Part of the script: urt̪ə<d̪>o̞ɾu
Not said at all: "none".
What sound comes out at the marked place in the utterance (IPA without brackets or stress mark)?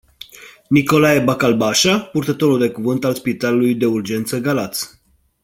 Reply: t̪